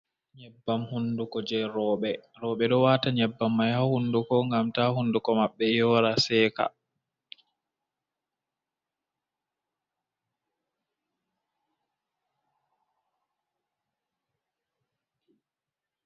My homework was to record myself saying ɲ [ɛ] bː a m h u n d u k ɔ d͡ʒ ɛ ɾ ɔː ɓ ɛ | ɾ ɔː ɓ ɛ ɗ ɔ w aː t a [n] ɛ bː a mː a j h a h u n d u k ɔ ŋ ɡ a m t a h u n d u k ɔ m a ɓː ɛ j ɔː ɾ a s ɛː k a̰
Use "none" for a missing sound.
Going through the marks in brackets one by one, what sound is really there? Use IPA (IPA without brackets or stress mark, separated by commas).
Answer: ɛ, ɲ